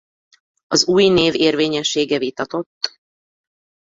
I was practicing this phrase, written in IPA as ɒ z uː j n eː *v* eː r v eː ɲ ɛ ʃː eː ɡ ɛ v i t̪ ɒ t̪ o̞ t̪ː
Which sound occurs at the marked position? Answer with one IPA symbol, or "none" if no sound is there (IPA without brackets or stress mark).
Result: v